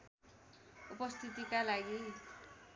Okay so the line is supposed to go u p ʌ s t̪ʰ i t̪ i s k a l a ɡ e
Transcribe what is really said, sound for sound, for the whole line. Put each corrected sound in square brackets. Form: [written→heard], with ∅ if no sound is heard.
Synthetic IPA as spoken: u p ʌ s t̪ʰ i t̪ i [s→∅] k a l a ɡ [e→i]